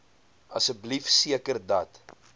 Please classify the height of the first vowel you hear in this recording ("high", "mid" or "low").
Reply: low